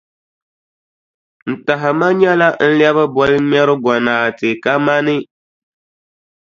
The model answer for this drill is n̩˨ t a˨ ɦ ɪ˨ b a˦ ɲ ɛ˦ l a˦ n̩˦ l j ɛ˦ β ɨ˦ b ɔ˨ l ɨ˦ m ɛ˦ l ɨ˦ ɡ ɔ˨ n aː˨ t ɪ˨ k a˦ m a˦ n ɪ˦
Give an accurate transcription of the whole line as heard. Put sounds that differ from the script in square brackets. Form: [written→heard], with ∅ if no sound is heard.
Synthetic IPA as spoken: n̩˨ t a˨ ɦ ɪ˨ [b→m] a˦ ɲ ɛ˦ l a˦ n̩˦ l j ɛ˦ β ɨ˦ b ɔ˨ l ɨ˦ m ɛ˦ [l→ɾ] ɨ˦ ɡ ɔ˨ n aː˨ t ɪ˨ k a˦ m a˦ n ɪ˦